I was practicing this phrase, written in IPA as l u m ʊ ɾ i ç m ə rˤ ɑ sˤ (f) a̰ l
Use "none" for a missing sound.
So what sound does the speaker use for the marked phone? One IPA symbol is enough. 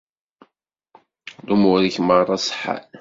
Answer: ħ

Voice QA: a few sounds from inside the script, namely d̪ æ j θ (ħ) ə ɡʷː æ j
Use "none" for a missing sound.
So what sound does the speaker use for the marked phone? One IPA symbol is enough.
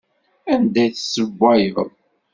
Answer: s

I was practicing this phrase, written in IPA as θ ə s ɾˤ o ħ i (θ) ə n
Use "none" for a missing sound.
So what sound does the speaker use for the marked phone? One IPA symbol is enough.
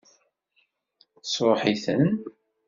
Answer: θ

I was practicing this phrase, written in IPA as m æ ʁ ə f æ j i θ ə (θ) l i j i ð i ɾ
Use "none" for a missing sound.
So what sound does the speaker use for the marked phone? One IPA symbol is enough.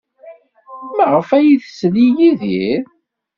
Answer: s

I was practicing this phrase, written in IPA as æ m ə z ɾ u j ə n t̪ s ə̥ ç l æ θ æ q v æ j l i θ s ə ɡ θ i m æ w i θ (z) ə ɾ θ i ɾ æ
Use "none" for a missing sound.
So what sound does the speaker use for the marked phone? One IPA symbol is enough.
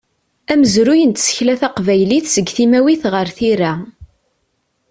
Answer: ʁ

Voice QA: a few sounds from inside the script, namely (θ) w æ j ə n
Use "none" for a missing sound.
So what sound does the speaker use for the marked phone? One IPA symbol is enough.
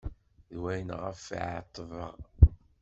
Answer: ð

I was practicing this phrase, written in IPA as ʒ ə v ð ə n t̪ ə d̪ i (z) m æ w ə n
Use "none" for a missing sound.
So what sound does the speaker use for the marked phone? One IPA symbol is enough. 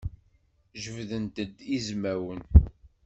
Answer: z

